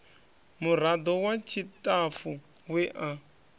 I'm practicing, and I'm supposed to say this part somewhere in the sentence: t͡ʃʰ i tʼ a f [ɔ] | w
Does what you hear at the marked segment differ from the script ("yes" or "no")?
yes